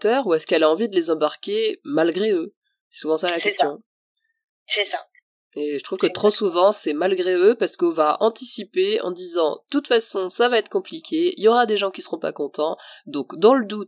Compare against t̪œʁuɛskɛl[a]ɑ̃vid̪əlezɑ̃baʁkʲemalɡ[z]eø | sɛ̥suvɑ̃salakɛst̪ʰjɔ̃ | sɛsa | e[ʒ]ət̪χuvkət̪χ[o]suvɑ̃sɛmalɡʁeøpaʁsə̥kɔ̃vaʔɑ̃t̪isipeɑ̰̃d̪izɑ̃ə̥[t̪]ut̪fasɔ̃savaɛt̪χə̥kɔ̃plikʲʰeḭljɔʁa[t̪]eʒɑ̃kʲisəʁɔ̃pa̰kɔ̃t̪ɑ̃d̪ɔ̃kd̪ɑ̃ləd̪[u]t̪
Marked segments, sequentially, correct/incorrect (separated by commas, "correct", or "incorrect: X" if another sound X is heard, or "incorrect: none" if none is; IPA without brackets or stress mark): correct, incorrect: ʁ, correct, correct, correct, incorrect: d̪, correct